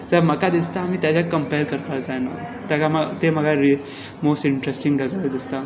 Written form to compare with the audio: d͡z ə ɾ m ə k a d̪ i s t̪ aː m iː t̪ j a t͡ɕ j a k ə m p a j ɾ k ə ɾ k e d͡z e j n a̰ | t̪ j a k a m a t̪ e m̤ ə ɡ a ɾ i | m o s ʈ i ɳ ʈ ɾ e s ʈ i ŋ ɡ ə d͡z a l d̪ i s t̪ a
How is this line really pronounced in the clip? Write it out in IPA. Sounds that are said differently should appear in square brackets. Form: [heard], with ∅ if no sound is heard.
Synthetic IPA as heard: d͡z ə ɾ m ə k a d̪ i s t̪ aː m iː t̪ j a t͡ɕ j a k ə m p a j ɾ k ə ɾ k [a] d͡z [a] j n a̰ | t̪ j a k a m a t̪ e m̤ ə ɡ a ɾ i | m o s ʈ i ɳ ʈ ɾ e s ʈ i ŋ ɡ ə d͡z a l d̪ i s t̪ a